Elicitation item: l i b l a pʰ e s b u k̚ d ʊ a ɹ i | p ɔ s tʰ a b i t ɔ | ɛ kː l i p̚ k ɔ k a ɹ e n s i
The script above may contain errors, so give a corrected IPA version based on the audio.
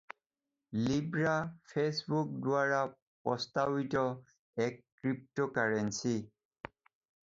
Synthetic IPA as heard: l i b ɹ a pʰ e s b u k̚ d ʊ a ɹ a | p ɔ s t a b i t ɔ | ɛ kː ɹ i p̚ t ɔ k a ɹ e n s i